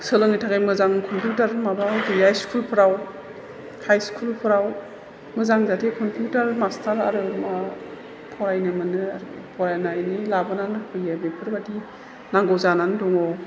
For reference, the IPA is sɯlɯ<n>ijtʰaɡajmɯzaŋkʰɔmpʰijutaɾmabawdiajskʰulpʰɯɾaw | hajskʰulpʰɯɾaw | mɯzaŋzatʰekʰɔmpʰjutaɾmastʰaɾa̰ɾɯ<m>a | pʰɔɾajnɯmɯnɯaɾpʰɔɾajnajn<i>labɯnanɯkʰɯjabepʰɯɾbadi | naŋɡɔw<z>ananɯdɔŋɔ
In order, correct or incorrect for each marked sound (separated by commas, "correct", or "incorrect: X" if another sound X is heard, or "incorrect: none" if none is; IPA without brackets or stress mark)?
incorrect: ŋ, correct, correct, correct